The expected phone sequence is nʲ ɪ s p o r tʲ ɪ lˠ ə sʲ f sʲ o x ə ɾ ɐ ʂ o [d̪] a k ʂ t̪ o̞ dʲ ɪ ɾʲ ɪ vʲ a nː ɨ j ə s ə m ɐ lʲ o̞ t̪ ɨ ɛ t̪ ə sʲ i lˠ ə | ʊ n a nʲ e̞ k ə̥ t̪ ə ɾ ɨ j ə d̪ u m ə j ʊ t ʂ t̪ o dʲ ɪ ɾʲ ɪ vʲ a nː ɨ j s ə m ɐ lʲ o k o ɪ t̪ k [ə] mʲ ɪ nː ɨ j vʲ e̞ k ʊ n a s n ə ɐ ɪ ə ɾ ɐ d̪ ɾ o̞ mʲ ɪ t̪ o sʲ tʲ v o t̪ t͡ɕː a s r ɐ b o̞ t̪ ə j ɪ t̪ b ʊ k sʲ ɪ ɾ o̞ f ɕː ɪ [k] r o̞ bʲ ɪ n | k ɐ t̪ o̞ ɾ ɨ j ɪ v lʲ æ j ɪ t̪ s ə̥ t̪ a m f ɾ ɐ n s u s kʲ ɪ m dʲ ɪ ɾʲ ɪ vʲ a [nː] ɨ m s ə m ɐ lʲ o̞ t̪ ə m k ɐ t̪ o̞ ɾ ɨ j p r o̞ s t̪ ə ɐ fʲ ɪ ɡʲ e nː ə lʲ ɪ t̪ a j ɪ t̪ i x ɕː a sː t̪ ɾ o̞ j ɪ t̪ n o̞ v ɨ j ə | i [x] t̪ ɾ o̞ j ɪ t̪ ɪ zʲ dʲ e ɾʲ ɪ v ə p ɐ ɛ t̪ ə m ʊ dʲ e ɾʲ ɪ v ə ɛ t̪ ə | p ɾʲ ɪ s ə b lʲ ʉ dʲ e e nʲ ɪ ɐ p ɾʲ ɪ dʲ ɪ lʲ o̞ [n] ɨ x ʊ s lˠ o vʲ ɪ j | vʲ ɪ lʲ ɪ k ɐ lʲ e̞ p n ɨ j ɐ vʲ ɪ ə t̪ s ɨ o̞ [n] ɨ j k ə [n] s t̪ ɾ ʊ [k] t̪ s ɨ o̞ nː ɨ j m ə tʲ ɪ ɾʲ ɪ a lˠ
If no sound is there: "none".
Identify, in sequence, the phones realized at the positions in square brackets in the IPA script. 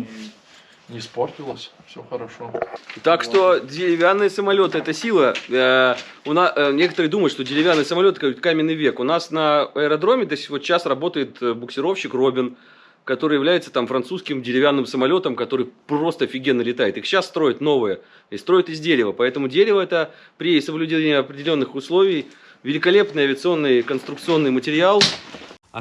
t̪, a, k, nː, s, nː, nː, n, k

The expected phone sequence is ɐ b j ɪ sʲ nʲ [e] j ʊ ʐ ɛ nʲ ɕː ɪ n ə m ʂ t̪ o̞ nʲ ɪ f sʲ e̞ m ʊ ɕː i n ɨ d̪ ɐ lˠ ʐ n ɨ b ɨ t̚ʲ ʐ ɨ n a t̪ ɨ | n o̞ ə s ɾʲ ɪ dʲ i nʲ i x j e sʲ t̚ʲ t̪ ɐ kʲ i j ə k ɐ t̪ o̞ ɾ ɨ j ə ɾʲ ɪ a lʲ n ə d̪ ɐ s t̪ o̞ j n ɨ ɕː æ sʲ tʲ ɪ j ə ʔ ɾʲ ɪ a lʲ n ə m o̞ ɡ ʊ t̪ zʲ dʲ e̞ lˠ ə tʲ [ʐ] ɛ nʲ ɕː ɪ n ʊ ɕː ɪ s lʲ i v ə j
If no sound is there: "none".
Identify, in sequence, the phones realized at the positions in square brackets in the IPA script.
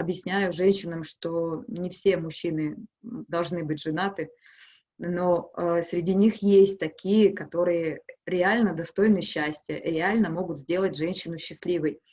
æ, ʐ

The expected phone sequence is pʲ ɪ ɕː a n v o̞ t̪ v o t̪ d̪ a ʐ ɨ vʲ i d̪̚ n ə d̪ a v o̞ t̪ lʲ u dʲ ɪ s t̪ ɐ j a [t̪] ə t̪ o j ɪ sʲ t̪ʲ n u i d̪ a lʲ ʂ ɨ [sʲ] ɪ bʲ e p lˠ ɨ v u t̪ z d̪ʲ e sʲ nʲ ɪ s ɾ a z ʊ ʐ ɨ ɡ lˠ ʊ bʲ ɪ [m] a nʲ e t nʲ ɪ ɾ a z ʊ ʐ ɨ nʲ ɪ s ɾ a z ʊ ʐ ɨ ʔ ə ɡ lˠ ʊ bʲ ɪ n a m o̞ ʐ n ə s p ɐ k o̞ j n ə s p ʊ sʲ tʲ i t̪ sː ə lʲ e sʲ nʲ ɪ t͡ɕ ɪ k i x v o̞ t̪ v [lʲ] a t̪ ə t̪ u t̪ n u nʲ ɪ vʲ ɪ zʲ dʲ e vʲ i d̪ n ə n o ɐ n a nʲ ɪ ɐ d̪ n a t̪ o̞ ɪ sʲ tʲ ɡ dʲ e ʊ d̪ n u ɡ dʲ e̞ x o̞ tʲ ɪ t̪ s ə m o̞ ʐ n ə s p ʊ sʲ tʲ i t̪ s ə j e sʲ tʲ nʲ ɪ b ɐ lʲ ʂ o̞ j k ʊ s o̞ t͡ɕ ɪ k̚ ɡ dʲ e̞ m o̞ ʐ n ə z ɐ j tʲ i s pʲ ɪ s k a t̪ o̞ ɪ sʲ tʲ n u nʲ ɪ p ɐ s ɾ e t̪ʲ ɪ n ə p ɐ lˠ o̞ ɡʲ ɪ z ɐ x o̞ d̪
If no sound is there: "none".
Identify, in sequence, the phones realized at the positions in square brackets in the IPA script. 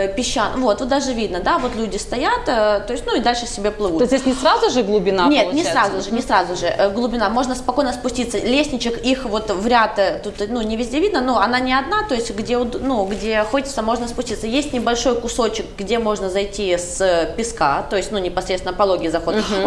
t̪, sʲ, n, ɾʲ

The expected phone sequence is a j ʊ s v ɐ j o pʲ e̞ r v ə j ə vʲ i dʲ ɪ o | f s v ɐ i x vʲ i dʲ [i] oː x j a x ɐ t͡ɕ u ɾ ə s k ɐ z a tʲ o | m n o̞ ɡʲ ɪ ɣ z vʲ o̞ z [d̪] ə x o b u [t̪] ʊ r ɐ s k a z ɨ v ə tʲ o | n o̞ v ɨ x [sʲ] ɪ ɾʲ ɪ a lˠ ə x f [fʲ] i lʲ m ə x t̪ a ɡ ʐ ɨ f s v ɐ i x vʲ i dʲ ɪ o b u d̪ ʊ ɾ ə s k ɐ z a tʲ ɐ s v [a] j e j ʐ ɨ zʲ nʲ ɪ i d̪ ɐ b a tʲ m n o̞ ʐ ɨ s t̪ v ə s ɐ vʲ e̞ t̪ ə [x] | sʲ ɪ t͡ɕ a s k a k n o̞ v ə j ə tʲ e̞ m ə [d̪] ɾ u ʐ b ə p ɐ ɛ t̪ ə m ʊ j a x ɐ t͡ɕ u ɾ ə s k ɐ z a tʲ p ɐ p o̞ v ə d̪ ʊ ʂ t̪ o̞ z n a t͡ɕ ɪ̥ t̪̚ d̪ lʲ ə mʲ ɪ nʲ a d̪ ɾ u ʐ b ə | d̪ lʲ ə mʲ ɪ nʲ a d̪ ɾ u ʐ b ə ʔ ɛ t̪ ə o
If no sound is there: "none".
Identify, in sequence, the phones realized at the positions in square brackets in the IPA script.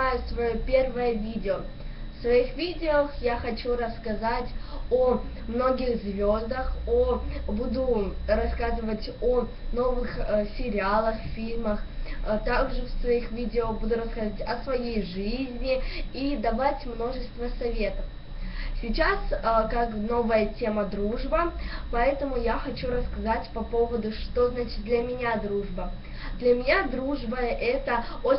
ɪ, d̪, d̪, sʲ, fʲ, ɐ, f, d̪

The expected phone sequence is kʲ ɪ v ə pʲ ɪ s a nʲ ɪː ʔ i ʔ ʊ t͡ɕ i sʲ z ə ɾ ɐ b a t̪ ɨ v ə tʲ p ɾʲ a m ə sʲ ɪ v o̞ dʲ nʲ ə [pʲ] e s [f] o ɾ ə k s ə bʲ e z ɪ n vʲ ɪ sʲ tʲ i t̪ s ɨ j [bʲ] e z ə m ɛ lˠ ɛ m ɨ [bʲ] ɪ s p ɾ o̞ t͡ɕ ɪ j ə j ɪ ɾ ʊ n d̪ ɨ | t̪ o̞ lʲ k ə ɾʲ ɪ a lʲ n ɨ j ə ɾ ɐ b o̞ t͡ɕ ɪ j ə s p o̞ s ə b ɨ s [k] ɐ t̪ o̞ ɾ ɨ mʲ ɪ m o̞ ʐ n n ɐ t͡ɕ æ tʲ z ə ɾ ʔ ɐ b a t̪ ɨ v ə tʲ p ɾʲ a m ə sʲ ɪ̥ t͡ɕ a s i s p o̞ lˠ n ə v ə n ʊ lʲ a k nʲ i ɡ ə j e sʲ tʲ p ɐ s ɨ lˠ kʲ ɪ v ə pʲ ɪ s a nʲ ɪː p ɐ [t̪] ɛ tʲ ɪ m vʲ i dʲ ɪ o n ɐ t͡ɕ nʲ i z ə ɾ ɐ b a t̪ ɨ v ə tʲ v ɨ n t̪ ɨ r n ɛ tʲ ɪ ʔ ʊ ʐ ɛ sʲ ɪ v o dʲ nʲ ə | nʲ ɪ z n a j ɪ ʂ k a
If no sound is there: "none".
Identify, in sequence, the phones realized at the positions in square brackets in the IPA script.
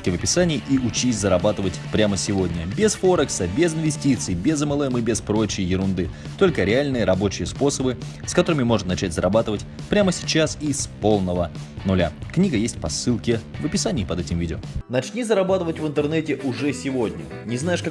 bʲ, f, bʲ, bʲ, k, d̪

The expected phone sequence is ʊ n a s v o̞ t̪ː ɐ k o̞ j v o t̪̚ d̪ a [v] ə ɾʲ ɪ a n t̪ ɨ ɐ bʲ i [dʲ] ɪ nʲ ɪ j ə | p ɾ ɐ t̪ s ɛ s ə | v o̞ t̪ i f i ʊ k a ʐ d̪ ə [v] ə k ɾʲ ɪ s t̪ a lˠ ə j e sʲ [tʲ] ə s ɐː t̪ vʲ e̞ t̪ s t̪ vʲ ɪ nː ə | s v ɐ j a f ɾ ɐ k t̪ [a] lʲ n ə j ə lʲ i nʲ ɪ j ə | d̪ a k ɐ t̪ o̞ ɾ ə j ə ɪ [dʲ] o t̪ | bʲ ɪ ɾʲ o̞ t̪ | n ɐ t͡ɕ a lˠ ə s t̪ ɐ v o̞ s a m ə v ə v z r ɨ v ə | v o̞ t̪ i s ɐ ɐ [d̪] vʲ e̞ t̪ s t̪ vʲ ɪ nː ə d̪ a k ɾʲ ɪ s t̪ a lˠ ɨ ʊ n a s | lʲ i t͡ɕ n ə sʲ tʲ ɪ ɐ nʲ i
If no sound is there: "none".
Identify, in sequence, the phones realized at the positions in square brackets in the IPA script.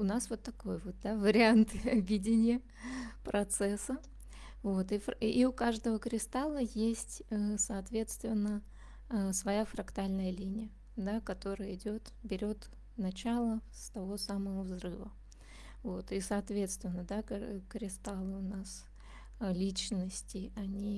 v, dʲ, v, tʲ, a, dʲ, t̪

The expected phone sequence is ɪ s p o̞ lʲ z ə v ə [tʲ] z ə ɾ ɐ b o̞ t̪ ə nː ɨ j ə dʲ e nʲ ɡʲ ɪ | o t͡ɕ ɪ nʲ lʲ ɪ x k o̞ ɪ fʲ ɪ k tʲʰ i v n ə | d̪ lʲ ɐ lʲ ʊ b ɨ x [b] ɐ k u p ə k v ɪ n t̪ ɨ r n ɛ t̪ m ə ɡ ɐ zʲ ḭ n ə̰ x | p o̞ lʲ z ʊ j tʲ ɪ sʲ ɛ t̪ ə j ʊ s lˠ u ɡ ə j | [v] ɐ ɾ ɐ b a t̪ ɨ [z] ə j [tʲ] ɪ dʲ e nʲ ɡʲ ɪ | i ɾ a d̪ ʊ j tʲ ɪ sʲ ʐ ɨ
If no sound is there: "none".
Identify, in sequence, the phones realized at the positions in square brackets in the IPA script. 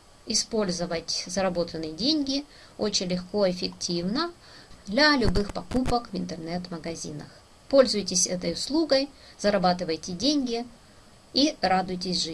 tʲ, p, z, v, tʲ

